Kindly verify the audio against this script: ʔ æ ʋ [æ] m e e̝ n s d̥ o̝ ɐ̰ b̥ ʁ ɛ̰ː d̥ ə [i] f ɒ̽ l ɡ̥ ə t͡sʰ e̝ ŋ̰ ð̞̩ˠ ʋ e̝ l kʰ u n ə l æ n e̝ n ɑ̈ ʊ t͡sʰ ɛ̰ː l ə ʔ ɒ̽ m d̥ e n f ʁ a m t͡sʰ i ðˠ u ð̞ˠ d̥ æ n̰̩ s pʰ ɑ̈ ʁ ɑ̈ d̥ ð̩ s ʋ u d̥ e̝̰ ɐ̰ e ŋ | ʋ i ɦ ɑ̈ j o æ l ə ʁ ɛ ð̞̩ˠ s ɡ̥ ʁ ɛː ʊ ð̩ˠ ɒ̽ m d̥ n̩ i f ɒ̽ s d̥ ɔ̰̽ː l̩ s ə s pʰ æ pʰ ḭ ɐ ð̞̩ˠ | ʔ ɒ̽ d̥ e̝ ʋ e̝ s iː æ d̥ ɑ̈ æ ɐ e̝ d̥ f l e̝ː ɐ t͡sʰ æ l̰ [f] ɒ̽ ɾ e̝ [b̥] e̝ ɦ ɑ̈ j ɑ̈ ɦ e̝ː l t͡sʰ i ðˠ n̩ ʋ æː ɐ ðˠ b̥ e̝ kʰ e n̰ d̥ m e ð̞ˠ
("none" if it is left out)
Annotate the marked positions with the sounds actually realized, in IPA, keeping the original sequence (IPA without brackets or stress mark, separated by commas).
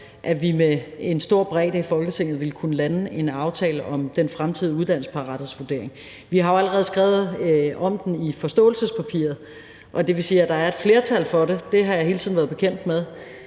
i, i, f, d̥